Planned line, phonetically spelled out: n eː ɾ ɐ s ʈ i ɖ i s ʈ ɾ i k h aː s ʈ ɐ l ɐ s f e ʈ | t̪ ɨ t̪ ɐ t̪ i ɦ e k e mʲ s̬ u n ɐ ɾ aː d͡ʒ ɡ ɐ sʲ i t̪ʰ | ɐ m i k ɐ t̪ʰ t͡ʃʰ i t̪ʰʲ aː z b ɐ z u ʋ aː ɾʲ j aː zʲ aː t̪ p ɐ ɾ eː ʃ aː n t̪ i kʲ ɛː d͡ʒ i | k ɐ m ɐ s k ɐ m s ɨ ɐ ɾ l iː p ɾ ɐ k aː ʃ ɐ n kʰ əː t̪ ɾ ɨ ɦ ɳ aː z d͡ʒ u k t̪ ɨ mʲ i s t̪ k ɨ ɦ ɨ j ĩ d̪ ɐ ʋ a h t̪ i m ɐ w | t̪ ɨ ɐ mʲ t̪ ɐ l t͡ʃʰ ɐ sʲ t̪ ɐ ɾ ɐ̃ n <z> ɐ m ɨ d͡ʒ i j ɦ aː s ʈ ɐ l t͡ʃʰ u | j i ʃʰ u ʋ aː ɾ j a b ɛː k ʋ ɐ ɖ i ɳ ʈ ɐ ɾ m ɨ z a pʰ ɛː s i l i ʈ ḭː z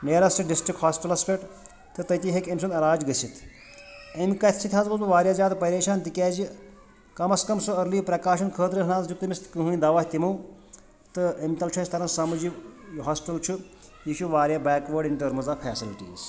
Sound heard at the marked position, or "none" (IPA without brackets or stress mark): s